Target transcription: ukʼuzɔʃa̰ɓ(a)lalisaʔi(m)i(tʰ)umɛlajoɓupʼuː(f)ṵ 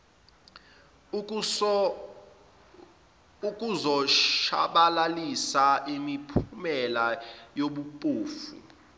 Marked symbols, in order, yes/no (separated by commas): yes, yes, no, yes